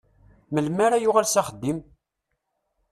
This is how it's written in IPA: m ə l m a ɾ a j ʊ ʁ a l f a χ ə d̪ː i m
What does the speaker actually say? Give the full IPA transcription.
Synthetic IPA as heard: m ə l m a ɾ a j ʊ ʁ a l s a χ ə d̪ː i m